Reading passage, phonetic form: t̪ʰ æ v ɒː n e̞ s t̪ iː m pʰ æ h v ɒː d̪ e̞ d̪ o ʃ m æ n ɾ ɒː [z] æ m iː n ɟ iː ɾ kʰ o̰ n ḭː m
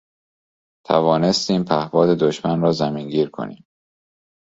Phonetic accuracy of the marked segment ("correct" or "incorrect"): correct